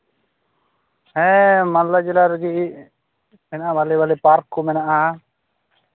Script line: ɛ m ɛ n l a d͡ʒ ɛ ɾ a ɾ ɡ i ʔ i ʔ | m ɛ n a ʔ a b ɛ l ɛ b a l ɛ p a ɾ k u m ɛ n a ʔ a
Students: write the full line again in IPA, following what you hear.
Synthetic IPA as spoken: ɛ m a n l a d͡ʒ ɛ l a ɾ ɡ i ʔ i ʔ | m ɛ n a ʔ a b a l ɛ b a l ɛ p a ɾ k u m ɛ n a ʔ a